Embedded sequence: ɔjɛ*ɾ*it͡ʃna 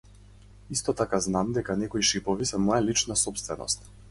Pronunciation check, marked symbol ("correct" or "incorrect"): incorrect